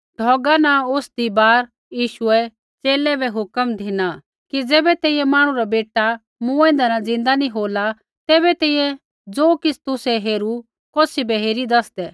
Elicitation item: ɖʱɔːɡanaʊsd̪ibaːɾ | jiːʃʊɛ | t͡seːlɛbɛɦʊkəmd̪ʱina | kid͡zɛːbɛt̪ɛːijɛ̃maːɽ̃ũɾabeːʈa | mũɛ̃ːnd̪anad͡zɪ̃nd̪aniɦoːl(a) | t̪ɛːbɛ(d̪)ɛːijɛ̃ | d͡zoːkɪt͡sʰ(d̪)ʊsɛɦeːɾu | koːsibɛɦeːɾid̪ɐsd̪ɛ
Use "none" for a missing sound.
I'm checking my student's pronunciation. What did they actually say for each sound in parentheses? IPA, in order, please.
a, t̪, t̪

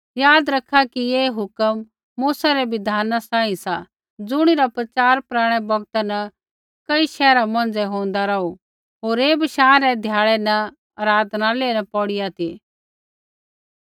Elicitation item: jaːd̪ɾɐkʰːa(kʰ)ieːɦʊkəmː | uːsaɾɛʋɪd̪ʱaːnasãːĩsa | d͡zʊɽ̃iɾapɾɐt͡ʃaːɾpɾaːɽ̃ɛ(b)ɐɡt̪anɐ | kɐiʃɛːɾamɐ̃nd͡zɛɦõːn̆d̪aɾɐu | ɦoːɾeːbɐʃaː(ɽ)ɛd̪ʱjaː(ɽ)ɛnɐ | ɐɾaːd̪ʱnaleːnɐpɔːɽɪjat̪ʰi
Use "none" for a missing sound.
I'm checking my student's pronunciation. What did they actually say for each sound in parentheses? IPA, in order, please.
k, b, ɾ, ɭ

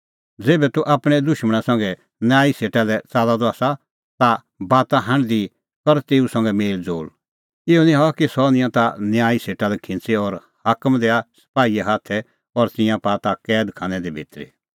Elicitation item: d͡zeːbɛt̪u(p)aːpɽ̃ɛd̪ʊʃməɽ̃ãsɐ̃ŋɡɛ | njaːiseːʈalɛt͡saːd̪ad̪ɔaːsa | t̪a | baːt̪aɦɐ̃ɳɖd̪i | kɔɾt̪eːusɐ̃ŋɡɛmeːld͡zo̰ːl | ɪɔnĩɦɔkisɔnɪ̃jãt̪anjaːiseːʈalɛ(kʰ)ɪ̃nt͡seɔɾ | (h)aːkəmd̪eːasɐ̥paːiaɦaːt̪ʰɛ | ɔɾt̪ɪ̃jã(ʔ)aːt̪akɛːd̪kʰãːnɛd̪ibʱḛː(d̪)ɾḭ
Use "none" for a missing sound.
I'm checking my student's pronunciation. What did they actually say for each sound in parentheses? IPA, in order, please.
ʔ, kʰ, h, p, t̪

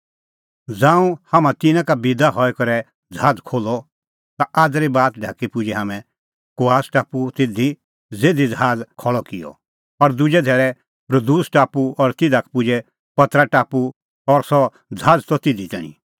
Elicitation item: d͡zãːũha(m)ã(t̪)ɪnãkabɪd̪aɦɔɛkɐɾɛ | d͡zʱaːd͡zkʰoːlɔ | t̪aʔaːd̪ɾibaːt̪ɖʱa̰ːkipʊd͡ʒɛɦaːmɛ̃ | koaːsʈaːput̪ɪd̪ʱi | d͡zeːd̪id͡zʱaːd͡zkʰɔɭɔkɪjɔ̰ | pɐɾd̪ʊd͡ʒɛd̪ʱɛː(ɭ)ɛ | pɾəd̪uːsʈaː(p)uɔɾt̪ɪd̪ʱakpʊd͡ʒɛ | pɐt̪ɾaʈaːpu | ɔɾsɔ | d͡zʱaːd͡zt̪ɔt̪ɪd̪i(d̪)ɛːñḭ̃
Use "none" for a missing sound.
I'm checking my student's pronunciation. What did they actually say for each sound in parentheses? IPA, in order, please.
m, t̪, ɾ, p, t̪

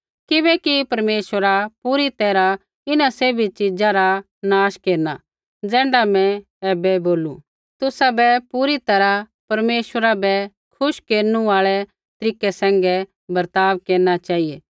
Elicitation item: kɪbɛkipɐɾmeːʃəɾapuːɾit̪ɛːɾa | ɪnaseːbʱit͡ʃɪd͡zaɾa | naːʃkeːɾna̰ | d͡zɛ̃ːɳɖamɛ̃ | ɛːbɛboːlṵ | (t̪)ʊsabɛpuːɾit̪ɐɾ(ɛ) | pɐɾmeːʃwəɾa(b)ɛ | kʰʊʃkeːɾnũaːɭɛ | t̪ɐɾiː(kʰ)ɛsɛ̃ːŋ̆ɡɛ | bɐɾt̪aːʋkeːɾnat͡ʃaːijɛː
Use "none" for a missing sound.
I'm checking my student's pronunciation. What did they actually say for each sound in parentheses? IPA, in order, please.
t̪, a, b, k

